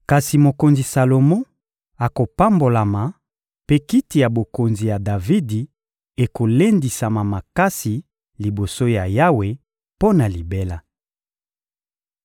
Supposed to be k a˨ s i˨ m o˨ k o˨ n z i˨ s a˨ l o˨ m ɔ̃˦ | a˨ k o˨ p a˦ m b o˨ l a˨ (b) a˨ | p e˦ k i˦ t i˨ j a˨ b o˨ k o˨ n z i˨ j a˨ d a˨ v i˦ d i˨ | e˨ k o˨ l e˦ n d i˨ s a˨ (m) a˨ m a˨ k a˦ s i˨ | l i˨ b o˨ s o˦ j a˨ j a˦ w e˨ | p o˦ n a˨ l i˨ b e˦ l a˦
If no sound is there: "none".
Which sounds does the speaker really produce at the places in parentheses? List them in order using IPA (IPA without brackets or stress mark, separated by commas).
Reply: m, m